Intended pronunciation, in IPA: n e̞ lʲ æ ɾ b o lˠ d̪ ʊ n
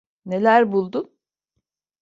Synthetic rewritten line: n e̞ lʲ æ ɾ b u lˠ d̪ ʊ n

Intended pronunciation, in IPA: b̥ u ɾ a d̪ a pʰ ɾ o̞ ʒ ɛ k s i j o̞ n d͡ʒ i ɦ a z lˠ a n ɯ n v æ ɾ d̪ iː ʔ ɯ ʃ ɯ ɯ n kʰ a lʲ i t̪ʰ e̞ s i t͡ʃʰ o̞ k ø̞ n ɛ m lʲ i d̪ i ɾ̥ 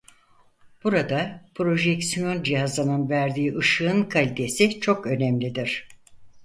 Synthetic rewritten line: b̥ u ɾ a d̪ a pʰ ɾ o̞ ʒ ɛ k s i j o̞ n d͡ʒ i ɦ a z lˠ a n ɯ n v æ ɾ d̪ iː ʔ ɯ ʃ ɯ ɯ n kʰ a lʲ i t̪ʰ e̞ s i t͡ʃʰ o̞ k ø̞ n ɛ m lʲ i d̪ i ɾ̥

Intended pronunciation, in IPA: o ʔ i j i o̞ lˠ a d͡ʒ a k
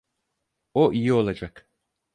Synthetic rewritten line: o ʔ i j i o̞ lˠ a d͡ʒ a k

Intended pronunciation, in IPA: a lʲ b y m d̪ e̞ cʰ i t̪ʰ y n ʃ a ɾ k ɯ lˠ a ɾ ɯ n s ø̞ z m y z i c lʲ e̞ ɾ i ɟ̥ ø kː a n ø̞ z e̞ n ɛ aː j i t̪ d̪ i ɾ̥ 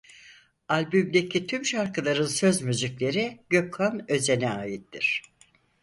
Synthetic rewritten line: a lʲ b y m d̪ e̞ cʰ i t̪ʰ y m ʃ a ɾ k ɯ lˠ a ɾ ɯ n s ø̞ z m y z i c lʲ e̞ ɾ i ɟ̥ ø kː a n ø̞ z e̞ n ɛ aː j i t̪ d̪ i ɾ̥

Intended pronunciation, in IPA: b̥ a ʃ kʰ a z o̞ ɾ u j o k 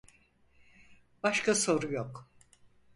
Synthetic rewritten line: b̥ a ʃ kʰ a s o̞ ɾ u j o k

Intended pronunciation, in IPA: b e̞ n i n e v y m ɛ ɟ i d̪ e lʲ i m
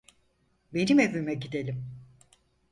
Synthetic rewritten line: b e̞ n i m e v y m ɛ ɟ i d̪ e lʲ i m

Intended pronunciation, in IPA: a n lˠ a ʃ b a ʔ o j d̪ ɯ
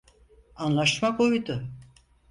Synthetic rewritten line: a n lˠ a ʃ m a k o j d̪ ʊ

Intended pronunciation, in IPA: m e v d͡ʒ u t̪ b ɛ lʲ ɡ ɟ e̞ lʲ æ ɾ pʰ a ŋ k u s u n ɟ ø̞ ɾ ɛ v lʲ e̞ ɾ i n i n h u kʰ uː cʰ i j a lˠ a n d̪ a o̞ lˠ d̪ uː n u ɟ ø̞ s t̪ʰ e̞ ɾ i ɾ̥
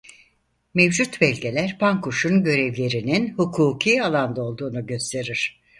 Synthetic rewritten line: m e v d͡ʒ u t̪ b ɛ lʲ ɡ ɟ e̞ lʲ æ ɾ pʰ a ŋ k u ʃ u n ɟ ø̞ ɾ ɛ v lʲ e̞ ɾ i n i n h u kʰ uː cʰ i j a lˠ a n d̪ a o̞ lˠ d̪ uː n u ɟ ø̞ s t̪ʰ e̞ ɾ i ɾ̥

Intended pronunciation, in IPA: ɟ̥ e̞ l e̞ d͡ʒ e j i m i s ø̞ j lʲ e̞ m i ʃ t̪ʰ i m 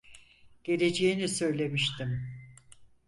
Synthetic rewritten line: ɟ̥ e̞ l e̞ d͡ʒ e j i n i s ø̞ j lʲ e̞ m i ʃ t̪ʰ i m

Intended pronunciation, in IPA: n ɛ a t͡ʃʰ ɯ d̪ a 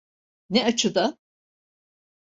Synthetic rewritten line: n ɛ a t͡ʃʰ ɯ d̪ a

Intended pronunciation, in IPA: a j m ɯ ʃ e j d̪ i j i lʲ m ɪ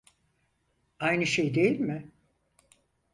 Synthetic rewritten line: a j n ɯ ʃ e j d̪ e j i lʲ m ɪ

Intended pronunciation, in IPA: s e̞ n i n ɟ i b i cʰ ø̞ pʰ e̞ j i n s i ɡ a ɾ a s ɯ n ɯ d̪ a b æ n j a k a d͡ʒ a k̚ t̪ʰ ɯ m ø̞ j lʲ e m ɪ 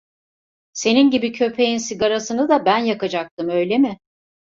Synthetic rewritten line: s e̞ n i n ɟ i b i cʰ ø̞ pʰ e̞ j i n s i ɡ a ɾ a s ɯ n ɯ d̪ a b æ n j a k a d͡ʒ a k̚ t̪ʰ ɯ m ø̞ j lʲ e m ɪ

